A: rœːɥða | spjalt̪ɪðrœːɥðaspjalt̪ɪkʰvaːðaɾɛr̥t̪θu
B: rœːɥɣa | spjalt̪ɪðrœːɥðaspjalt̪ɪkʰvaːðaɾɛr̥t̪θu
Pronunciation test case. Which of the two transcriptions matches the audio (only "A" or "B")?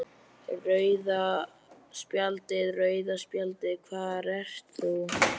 A